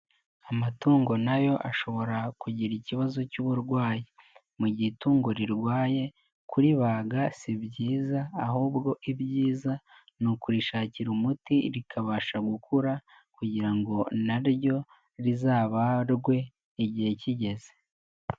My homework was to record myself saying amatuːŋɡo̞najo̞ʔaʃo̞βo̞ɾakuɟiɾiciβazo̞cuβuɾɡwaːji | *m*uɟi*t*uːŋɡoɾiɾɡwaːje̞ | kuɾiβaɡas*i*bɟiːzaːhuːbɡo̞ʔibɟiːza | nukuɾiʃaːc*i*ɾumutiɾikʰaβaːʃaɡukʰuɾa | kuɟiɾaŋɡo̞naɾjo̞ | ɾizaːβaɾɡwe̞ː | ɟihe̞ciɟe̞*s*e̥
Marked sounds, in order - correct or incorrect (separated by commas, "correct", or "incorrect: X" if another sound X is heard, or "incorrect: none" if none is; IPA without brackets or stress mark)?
correct, correct, correct, correct, incorrect: z